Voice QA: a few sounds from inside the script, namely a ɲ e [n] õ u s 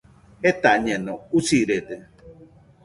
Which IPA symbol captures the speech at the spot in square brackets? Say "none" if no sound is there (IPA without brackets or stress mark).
n